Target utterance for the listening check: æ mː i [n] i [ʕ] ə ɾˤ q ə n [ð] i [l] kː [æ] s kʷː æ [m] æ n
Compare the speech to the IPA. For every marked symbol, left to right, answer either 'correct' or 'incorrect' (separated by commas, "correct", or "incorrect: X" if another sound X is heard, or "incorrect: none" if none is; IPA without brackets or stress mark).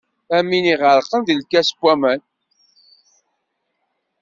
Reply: correct, incorrect: ʁ, correct, correct, correct, correct